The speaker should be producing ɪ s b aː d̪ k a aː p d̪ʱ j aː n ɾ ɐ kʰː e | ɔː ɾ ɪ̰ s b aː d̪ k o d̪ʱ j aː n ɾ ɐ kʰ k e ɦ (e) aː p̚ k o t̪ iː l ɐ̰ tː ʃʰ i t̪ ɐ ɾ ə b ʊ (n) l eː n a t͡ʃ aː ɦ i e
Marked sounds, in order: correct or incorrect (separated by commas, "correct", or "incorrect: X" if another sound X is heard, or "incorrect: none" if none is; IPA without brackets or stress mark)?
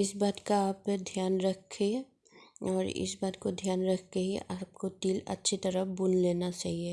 incorrect: i, correct